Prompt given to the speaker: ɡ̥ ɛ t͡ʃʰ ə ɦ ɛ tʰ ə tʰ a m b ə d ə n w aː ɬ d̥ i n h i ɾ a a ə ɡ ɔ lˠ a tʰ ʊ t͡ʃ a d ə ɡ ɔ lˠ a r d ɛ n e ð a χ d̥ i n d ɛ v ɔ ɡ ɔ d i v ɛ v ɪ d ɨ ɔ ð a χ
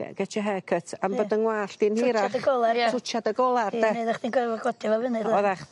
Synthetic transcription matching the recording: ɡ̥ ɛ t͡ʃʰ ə ɦ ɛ kʰ ə tʰ a m b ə d ə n w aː ɬ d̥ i n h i ɾ a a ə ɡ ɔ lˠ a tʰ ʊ t͡ʃ a d ə ɡ ɔ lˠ a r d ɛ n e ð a χ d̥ i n ɡ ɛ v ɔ ɡ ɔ d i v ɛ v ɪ n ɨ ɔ ð a χ